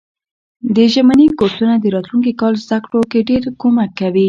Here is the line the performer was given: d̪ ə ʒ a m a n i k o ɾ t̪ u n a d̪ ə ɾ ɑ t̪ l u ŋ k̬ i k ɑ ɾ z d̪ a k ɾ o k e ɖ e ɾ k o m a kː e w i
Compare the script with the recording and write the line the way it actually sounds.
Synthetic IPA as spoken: d̪ ə ʒ a m a n i k o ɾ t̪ u n a d̪ ə ɾ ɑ t̪ l u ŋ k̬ i k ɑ l z d̪ a k ɽ o k e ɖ e ɾ k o m a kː a w i